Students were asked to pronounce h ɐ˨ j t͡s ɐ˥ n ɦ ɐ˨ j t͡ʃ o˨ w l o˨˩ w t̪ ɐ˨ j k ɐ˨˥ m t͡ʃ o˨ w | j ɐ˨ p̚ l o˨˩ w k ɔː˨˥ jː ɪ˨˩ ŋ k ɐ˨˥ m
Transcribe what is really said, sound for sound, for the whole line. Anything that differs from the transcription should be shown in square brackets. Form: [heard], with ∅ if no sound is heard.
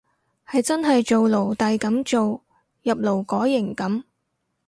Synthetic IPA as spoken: h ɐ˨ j t͡s ɐ˥ n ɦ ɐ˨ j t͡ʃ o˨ w l o˨˩ w t̪ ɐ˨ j k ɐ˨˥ m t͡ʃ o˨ w | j ɐ˨ p̚ l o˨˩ w k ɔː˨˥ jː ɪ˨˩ ŋ k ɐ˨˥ m